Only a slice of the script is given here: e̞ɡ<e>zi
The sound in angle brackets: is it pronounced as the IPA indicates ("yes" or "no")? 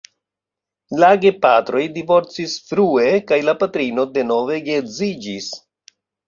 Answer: yes